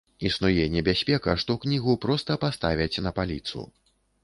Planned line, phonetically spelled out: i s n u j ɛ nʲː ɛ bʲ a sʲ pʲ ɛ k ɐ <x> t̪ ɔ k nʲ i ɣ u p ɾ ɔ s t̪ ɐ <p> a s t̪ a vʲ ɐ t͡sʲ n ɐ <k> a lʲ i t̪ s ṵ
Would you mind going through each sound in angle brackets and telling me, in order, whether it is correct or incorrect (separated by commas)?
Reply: incorrect, correct, incorrect